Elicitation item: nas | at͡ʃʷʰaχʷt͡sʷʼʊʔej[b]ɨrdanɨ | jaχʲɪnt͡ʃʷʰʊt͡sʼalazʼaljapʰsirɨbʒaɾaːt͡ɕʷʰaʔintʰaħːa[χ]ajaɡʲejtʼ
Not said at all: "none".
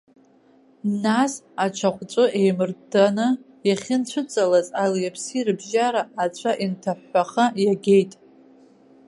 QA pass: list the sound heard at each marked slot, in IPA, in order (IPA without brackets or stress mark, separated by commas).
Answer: m, χ